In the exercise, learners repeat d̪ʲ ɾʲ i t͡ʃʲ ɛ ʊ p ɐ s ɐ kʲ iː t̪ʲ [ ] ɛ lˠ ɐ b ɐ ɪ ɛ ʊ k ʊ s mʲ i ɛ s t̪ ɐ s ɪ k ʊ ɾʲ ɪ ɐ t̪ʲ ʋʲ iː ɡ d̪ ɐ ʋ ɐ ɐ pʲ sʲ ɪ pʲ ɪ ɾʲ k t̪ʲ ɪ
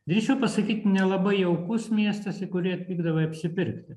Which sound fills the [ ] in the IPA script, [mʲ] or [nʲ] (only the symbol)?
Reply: nʲ